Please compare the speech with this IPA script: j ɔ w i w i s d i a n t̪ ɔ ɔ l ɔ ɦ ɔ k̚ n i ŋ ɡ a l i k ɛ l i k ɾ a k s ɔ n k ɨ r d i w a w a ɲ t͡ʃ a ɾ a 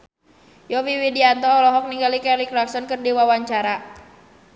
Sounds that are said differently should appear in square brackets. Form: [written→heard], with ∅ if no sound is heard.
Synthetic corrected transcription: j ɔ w i w i [s→∅] d i a n t̪ ɔ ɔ l ɔ ɦ ɔ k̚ n i ŋ ɡ a l i k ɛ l i k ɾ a k s ɔ n k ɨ r d i w a w a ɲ t͡ʃ a ɾ a